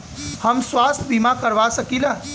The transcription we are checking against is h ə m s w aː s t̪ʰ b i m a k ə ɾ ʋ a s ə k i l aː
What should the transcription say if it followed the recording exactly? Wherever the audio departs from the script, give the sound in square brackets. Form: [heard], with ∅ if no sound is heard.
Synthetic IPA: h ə m s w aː s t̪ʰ b i m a k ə ɾ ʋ a s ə k i l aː